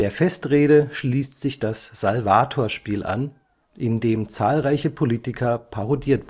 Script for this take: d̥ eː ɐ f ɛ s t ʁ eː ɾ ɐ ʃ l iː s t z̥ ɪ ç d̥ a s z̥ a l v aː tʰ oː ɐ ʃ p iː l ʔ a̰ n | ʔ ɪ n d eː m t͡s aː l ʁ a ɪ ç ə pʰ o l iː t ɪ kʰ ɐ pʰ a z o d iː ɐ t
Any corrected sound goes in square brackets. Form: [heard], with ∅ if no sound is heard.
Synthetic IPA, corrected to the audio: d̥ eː ɐ f ɛ s t ʁ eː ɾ [ə] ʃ l iː s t z̥ ɪ ç d̥ a s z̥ a l v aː tʰ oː ɐ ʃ p iː l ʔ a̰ n | ʔ ɪ n d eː m t͡s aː l ʁ a ɪ ç ə pʰ o l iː t ɪ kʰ ɐ pʰ a [ʁ] o d iː ɐ t